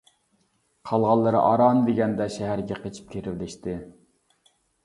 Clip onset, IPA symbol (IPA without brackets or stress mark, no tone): qʰ